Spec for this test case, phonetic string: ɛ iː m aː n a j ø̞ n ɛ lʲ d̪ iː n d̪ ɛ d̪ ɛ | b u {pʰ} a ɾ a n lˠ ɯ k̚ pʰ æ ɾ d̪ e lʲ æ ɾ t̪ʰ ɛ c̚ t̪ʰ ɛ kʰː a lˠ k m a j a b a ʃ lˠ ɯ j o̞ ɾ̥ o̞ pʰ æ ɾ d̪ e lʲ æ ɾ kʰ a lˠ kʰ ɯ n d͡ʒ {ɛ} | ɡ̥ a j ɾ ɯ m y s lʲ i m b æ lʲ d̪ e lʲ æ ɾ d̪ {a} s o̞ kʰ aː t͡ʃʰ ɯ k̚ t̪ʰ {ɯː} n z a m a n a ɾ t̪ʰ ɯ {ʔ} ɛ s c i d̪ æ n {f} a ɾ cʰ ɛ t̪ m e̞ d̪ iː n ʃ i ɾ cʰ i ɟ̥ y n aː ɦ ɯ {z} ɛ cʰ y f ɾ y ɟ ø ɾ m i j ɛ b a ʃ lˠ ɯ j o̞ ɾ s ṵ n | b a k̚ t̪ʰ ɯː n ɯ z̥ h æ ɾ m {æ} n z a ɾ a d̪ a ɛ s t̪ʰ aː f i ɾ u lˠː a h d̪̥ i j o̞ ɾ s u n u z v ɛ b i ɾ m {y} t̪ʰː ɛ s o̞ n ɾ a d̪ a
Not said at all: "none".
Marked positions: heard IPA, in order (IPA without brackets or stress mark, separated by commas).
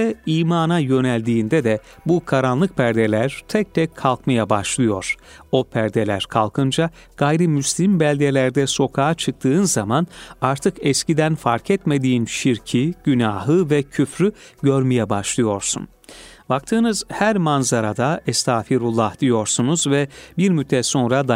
kʰ, a, ɛ, ɯː, k, f, v, a, y